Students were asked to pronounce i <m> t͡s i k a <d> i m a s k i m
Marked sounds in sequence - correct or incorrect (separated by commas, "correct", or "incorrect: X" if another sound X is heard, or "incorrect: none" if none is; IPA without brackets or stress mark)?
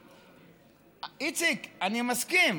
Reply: incorrect: none, incorrect: n